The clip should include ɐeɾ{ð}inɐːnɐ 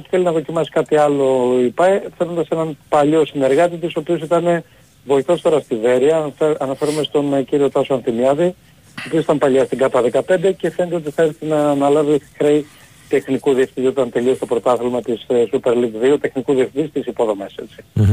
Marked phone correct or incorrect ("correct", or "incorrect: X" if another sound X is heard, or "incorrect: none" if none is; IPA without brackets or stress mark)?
incorrect: θ